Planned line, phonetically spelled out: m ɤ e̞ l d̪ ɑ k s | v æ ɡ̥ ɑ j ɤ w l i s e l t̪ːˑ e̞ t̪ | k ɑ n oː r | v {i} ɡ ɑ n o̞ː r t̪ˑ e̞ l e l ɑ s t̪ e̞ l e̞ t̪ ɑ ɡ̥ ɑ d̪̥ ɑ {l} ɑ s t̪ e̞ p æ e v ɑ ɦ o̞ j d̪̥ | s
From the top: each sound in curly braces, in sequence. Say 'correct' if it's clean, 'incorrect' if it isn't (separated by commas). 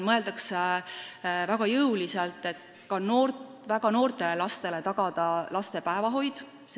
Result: incorrect, correct